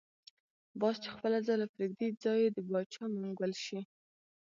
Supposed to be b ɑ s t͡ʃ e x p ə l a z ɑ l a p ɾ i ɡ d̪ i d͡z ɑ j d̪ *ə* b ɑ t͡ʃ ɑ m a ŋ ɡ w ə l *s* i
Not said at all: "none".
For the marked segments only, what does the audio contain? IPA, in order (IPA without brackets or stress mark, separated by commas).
ə, ʃ